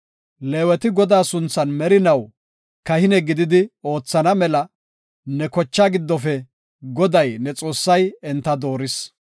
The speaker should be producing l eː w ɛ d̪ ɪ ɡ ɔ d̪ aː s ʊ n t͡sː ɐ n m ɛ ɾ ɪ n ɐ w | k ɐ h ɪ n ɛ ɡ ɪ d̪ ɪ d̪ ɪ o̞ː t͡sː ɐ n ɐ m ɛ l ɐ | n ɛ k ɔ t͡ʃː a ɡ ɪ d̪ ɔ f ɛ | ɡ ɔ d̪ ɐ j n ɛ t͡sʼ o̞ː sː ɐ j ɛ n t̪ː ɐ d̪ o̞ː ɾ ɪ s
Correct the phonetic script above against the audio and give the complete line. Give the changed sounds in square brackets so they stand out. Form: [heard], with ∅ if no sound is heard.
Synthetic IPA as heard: l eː w ɛ [t̪] ɪ ɡ ɔ d̪ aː s ʊ n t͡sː ɐ n m ɛ ɾ ɪ n ɐ w | k ɐ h ɪ n ɛ ɡ ɪ d̪ ɪ d̪ ɪ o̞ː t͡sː ɐ n ɐ m ɛ l ɐ | n ɛ k ɔ t͡ʃː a ɡ ɪ [d̪ː] ɔ f ɛ | ɡ ɔ d̪ ɐ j n ɛ t͡sʼ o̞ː sː ɐ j ɛ n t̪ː ɐ d̪ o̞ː ɾ ɪ s

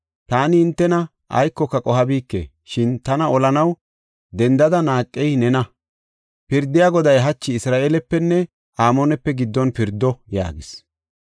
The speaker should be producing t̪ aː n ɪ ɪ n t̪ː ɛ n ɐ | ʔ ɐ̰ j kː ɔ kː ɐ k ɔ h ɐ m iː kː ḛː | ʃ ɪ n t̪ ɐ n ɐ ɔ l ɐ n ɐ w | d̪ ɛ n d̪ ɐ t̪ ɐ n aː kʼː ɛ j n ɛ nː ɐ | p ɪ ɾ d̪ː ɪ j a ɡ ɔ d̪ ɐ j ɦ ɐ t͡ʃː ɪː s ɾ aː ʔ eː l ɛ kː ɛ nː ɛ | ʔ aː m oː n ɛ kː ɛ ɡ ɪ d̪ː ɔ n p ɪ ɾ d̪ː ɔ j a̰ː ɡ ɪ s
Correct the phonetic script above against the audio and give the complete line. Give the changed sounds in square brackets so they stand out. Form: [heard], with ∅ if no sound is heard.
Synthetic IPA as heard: t̪ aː n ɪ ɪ n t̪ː ɛ n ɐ | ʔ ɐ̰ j kː ɔ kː ɐ [kʼ] ɔ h ɐ [b] iː kː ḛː | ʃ ɪ n t̪ ɐ n ɐ ɔ l ɐ n ɐ w | d̪ ɛ n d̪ ɐ [d̪] ɐ n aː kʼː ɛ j n ɛ [n] ɐ | p ɪ ɾ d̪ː ɪ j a ɡ ɔ d̪ ɐ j ɦ ɐ t͡ʃː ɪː s ɾ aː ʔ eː l ɛ [pː] ɛ nː ɛ | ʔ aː m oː n ɛ [pː] ɛ ɡ ɪ d̪ː ɔ n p ɪ ɾ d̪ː ɔ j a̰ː ɡ ɪ s

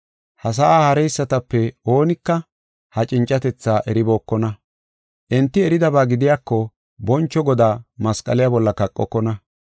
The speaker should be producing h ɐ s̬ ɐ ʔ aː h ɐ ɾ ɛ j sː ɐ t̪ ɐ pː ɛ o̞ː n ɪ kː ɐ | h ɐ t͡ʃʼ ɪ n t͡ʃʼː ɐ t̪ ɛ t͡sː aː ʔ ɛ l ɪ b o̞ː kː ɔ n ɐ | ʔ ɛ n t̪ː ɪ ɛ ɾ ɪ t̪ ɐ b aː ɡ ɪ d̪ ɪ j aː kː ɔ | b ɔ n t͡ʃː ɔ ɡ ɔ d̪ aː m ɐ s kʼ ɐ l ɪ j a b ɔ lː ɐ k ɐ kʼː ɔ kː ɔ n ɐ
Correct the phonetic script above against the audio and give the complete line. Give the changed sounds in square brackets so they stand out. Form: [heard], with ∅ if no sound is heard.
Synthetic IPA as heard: h ɐ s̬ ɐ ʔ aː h ɐ ɾ ɛ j sː ɐ t̪ ɐ pː ɛ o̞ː n ɪ kː ɐ | h ɐ t͡ʃʼ ɪ n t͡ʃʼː ɐ t̪ ɛ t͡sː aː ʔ ɛ [ɾ] ɪ b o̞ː kː ɔ n ɐ | ʔ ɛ n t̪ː ɪ ɛ ɾ ɪ [d̪] ɐ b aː ɡ ɪ d̪ ɪ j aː kː ɔ | b ɔ n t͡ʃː ɔ ɡ ɔ d̪ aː m ɐ s kʼ ɐ l ɪ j a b ɔ lː ɐ k ɐ kʼː ɔ kː ɔ n ɐ

